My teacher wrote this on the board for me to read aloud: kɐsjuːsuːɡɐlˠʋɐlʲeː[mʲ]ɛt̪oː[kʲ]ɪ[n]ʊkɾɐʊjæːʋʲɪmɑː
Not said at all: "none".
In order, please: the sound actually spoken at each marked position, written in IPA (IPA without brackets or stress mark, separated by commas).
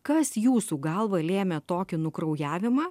mʲ, kʲ, n